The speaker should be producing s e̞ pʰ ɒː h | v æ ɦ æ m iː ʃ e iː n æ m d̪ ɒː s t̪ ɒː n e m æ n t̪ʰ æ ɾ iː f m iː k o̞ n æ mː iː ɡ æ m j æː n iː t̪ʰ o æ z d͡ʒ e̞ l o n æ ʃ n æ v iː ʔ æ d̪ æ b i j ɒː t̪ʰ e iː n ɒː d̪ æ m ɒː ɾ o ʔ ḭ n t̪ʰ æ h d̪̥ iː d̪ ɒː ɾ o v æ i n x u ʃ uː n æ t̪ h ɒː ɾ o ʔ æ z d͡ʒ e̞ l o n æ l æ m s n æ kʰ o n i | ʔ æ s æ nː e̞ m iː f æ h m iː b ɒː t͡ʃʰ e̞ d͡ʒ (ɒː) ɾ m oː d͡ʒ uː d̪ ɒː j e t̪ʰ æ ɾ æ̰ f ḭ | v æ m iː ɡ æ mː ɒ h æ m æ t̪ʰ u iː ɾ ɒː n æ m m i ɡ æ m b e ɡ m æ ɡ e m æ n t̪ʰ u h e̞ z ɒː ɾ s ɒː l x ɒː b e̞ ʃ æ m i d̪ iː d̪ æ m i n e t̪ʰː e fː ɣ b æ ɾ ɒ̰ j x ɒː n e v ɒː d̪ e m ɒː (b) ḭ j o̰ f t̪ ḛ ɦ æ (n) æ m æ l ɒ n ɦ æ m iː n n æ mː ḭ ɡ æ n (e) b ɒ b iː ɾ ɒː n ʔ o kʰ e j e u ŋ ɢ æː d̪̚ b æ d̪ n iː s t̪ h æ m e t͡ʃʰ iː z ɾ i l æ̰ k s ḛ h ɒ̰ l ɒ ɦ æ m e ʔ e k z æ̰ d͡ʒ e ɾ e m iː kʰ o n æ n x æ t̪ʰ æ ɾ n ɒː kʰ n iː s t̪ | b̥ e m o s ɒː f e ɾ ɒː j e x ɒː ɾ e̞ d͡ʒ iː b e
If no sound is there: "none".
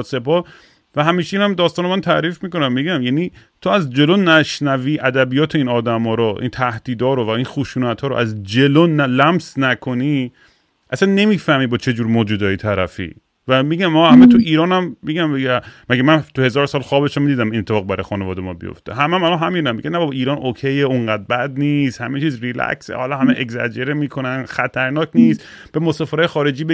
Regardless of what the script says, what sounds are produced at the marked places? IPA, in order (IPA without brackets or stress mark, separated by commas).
uː, b, m, æ